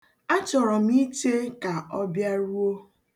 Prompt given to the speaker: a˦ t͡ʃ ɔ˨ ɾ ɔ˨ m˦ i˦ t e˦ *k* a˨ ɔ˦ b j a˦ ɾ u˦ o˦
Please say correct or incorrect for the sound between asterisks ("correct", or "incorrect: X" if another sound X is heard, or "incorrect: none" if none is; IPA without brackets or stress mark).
correct